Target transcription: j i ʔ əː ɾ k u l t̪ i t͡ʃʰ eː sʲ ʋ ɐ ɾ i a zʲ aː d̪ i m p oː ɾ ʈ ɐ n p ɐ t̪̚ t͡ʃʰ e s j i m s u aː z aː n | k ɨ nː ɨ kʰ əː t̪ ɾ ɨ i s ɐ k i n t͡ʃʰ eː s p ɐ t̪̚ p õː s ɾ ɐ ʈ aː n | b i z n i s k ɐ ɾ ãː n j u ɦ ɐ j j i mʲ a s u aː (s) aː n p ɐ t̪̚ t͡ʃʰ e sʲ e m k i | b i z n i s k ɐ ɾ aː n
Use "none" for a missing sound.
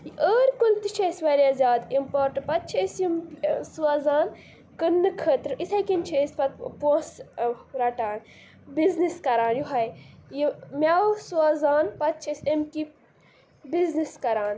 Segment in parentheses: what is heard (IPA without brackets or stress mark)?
z